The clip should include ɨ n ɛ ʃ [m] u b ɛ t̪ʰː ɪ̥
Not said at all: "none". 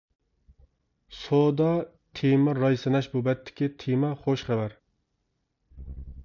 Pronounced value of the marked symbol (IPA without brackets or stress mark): b